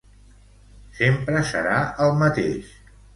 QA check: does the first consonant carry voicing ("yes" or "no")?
no